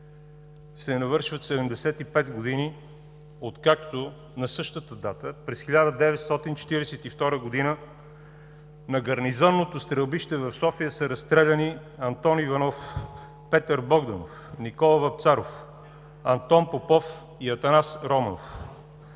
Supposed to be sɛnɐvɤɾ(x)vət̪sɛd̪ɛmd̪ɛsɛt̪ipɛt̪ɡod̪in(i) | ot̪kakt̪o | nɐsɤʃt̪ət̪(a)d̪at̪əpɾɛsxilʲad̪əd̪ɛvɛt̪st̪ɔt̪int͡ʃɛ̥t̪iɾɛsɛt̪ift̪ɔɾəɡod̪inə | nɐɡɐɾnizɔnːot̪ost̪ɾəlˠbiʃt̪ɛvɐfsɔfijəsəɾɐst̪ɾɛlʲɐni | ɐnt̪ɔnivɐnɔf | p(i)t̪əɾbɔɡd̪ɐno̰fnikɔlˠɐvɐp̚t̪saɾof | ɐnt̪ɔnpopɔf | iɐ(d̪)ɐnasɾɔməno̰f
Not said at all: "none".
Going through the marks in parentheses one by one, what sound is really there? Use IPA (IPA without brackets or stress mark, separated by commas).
ʃ, i, ə, ɛ, t̪